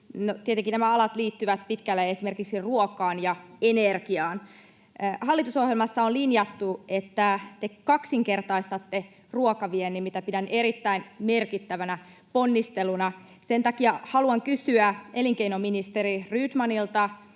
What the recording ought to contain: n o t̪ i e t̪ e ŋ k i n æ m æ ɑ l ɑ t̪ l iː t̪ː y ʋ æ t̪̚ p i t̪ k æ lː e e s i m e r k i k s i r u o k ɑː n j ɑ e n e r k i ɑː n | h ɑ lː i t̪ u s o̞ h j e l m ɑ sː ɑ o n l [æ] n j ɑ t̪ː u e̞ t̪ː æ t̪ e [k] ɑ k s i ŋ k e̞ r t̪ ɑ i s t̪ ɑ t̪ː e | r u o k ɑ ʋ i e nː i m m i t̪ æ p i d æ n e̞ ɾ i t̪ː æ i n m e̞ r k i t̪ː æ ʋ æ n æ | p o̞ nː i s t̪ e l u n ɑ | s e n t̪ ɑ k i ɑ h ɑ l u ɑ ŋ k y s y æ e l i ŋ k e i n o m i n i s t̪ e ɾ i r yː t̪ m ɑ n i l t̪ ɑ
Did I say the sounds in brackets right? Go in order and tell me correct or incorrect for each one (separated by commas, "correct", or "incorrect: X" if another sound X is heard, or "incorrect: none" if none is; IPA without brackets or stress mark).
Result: incorrect: i, correct